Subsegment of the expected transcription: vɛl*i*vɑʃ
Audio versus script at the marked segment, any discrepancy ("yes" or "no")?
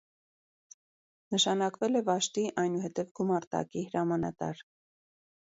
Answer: yes